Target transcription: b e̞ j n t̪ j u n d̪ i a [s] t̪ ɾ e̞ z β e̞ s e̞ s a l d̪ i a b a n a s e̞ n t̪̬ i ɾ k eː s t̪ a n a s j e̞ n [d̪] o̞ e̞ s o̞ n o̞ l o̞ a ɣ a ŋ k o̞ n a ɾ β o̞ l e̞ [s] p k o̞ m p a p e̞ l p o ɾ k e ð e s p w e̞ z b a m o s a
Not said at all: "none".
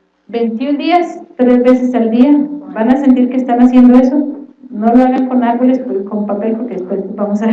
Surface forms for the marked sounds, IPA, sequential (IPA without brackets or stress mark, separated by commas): s, d̪, s